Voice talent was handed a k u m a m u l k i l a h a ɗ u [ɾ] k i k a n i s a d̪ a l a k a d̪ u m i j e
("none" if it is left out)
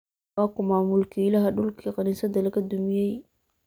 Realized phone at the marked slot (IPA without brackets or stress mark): l